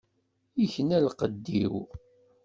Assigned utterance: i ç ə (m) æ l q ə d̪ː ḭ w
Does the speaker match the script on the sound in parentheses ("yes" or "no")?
no